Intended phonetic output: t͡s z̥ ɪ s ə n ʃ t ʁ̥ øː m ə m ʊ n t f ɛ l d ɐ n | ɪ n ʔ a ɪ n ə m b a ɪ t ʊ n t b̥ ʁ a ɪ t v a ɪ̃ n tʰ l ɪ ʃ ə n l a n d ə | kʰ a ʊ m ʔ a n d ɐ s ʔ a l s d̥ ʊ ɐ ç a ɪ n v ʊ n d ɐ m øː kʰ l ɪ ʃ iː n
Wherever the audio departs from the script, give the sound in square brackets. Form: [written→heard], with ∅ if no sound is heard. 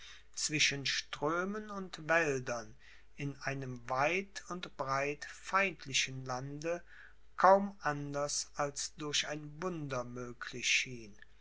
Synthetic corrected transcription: t͡s [z̥→v̥] ɪ [s→ʃ] ə n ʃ t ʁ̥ øː m ə [m→n] ʊ n t [f→v] ɛ l d ɐ n | ɪ n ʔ a ɪ n ə m [b→v] a ɪ t ʊ n t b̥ ʁ a ɪ t [v→f] a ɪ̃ n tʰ l ɪ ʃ ə n l a n d ə | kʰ a ʊ m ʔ a n d ɐ s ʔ a l s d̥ ʊ ɐ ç a ɪ n v ʊ n d ɐ m øː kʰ l ɪ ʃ iː n